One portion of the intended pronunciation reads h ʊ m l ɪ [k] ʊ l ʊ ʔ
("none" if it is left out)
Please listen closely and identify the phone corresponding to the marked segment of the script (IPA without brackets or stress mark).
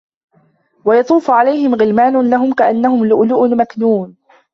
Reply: ʔ